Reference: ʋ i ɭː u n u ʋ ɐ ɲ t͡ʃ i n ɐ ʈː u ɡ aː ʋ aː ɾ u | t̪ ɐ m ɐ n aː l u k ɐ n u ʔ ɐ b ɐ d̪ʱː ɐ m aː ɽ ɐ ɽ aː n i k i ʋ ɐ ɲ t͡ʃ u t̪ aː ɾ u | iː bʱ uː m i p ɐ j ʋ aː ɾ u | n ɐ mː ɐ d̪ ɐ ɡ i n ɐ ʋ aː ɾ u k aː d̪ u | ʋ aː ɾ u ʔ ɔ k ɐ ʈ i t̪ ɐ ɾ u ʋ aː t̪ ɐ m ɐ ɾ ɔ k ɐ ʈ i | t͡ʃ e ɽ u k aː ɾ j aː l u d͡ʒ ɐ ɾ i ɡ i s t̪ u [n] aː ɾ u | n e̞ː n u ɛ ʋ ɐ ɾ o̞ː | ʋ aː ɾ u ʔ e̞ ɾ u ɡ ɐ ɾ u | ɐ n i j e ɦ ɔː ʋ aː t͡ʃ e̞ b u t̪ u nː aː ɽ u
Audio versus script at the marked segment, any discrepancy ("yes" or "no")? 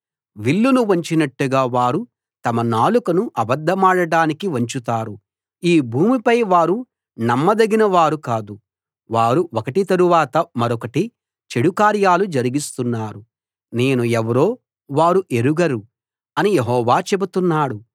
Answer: yes